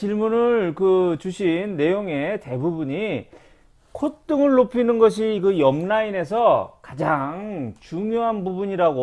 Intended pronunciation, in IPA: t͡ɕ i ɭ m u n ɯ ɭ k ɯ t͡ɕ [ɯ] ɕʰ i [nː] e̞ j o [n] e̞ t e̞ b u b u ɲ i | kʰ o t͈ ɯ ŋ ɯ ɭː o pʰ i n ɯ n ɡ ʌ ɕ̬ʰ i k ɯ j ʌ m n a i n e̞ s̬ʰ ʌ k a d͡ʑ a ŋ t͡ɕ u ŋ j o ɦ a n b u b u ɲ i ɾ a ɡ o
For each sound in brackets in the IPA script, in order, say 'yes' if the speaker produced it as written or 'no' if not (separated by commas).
no, yes, no